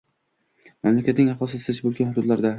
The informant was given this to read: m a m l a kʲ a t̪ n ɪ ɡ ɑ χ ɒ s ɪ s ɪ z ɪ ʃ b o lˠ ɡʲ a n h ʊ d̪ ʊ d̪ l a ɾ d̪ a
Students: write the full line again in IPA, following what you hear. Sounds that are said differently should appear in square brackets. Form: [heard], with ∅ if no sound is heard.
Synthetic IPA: m a m l a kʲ a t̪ n ɪ [ŋ] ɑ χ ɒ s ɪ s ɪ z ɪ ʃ b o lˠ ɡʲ a n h ʊ d̪ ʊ d̪ l a ɾ d̪ a